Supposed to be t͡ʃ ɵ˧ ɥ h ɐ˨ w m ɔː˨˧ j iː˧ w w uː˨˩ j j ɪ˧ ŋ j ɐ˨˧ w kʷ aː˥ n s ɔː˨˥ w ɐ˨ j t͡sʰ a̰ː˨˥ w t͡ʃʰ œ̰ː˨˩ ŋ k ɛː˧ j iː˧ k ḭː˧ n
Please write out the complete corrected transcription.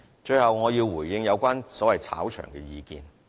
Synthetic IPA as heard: t͡ʃ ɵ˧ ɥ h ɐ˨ w ŋ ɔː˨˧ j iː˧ w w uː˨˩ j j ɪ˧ ŋ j ɐ˨˧ w kʷ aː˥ n s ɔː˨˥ w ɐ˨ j t͡sʰ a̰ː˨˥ w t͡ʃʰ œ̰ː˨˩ ŋ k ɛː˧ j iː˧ k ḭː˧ n